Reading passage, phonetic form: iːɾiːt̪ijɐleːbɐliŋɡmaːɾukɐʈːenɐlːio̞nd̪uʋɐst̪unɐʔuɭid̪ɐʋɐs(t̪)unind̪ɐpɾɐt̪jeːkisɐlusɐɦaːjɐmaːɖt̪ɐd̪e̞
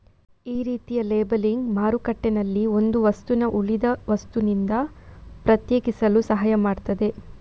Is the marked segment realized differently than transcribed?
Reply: no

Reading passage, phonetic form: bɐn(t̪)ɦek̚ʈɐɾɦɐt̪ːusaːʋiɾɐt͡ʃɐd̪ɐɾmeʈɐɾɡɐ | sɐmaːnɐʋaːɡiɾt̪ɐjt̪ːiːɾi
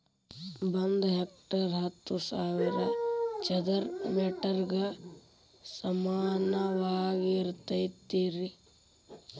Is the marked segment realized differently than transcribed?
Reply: yes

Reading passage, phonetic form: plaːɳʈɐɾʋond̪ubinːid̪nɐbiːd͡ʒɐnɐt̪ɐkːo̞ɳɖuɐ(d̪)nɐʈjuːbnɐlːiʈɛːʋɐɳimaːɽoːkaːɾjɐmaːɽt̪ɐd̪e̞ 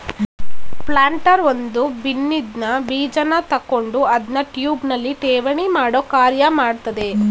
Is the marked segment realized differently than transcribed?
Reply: no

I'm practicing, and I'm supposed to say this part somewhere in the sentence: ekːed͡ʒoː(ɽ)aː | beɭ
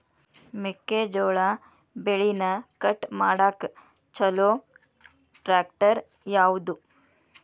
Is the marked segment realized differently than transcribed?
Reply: yes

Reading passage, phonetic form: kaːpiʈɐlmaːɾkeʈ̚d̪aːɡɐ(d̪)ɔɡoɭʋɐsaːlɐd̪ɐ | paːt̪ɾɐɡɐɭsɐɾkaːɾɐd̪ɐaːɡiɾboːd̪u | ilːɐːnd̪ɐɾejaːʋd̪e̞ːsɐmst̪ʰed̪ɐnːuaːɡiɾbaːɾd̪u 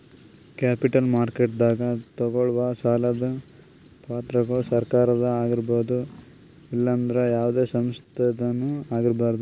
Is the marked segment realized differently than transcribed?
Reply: yes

